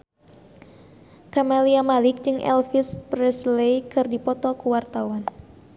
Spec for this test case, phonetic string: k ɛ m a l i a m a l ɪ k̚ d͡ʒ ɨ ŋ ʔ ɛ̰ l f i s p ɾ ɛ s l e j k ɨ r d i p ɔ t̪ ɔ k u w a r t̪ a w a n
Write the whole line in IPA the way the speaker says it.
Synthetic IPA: k a m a l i a m a l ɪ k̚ d͡ʒ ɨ ŋ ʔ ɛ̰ l f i s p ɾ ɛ s l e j k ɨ r d i p ɔ t̪ ɔ k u w a r t̪ a w a n